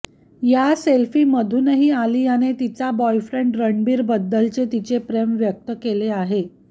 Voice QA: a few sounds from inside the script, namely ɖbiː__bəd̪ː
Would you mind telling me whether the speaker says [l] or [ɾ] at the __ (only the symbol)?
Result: ɾ